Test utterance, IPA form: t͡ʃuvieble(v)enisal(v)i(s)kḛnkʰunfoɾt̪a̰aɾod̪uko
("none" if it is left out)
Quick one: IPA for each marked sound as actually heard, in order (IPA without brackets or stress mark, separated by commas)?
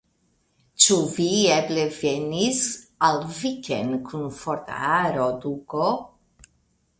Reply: v, v, none